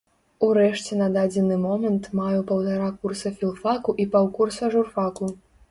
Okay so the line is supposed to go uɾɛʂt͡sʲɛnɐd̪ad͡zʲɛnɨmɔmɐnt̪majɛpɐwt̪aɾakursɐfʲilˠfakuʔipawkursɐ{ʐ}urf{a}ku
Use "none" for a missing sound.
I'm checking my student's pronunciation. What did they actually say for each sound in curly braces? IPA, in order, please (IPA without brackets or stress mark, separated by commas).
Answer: ʐ, a